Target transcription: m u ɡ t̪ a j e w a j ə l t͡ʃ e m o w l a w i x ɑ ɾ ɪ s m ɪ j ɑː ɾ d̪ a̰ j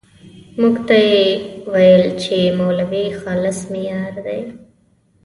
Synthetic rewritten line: m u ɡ t̪ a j e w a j ə l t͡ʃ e m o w l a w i x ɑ l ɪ s m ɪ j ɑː ɾ d̪ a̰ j

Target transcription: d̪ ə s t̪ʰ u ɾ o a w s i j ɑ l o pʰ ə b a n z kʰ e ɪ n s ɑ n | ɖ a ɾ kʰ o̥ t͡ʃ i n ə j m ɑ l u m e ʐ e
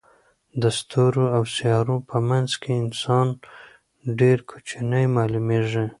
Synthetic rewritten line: d̪ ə s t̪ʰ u ɾ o a w s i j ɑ ɾ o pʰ ə m a n z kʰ e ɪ n s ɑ n | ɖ e ɾ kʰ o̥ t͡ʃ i n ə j m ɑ l u m e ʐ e

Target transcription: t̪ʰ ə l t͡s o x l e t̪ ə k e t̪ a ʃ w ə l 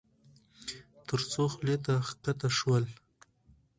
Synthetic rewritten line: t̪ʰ ə ɾ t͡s o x l e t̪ a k a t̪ a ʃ w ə l

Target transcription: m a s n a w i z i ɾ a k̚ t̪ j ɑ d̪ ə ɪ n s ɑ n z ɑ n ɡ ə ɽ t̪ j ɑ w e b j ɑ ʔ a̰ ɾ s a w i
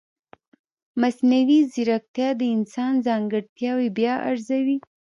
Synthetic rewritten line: m a s n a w i z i ɾ a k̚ t̪ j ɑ d̪ ə ɪ n s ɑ n z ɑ ŋ ɡ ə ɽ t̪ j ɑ w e b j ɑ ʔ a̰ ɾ z a w i

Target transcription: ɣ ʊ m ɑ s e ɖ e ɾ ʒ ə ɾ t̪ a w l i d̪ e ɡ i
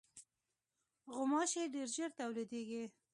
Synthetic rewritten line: ɣ ʊ m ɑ ʃ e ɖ e ɾ ʒ ə ɾ t̪ a w l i d̪ e ɡ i

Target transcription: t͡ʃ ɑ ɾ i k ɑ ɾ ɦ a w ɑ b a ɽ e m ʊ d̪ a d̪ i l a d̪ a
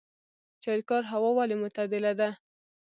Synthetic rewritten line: t͡ʃ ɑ ɾ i k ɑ ɾ ɦ a w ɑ w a l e m ʊ t̪ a d̪ ɪ l a d̪ a

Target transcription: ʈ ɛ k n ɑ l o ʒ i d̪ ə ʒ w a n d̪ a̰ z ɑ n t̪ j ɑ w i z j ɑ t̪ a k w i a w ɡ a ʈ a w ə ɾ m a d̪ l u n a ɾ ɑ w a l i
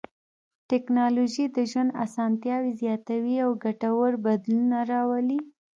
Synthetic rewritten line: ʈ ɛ k n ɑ l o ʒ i d̪ ə ʒ w a n d̪ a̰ s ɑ n t̪ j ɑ w i z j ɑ t̪ a w i a w ɡ a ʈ a w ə ɾ b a d̪ l u n a ɾ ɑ w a l i

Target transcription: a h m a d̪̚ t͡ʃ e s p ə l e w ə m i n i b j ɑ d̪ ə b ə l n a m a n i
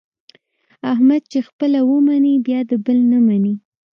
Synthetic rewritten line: a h m a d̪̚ t͡ʃ e x p ə l a w ə m a n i b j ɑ d̪ ə b ə l n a m a n i

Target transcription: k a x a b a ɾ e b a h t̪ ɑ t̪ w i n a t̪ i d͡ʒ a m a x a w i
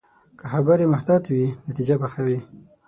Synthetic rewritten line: k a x a b a ɾ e m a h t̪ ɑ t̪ w i n a t̪ i d͡ʒ a b a x a w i

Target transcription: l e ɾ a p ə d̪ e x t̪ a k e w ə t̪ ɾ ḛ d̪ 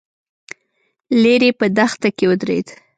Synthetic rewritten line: l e ɾ e p ə d̪ a x t̪ a k e w ə d̪ ɾ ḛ d̪

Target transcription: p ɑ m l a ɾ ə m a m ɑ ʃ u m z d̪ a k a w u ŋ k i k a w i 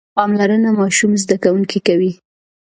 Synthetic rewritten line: p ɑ m l a ɾ ə n a m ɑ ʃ u m z d̪ a k a w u ŋ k i k a w i

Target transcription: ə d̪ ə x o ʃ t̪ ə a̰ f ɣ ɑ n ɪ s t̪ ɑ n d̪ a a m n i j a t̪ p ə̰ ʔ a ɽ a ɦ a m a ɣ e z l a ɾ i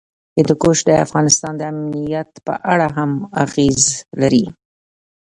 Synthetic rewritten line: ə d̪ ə k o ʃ d̪ ə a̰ f ɣ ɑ n ɪ s t̪ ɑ n d̪ ə a m n i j a t̪ p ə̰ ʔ a ɽ a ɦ a m a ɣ e z l a ɾ i

